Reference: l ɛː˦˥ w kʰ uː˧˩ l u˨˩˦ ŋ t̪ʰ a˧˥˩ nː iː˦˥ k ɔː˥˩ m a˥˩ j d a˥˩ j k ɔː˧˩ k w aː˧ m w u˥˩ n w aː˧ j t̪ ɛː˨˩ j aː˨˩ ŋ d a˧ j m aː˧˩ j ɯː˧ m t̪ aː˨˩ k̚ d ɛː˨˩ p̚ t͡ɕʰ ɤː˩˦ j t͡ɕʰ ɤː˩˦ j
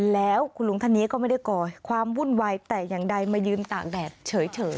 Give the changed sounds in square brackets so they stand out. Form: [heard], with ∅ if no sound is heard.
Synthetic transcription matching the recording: l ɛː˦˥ w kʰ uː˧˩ l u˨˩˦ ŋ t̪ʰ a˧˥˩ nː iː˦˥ k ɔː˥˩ m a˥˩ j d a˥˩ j k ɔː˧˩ [kʰ] w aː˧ m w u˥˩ n w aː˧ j t̪ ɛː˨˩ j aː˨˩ ŋ d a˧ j m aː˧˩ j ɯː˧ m t̪ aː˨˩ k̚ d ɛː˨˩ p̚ t͡ɕʰ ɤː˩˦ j t͡ɕʰ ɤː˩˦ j